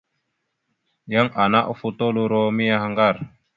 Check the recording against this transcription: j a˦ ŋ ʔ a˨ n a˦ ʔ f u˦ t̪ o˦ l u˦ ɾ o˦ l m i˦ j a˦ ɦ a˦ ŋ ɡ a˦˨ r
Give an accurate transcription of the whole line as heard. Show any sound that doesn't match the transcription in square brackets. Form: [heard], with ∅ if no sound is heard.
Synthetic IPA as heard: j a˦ ŋ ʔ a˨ n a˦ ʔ f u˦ t̪ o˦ l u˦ ɾ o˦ [∅] m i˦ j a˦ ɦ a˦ ŋ ɡ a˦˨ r